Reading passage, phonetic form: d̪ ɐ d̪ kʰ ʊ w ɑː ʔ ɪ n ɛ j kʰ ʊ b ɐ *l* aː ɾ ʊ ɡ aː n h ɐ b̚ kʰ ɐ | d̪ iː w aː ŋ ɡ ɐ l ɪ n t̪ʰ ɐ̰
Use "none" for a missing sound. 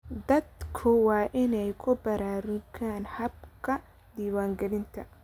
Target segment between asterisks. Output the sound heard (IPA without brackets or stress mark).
ɾ